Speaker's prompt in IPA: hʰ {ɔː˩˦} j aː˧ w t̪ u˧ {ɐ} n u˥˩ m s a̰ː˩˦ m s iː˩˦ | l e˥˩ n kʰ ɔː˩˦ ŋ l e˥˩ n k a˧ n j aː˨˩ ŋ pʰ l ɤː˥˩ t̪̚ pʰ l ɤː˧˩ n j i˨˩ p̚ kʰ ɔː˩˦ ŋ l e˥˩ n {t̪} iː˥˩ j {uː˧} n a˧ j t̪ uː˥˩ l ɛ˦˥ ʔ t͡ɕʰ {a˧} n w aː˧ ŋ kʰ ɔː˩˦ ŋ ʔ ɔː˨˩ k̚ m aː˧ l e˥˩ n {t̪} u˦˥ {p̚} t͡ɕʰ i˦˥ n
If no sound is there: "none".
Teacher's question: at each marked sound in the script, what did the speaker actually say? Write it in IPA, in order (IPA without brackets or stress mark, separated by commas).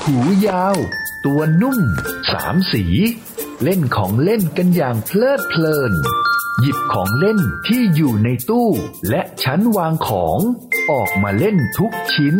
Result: uː˩˦, ɐ, t̪ʰ, uː˨˩, a˦˥, t̪ʰ, k̚